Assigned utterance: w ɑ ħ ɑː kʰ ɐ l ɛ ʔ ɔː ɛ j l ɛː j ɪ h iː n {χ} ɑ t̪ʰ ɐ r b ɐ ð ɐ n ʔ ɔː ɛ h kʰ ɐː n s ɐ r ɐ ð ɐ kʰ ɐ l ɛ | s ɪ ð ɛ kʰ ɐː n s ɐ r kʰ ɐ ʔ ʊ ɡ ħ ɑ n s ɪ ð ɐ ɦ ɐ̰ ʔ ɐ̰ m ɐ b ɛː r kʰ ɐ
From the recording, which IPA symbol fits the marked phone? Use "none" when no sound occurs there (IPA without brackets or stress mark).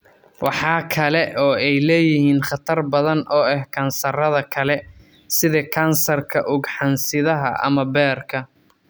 χ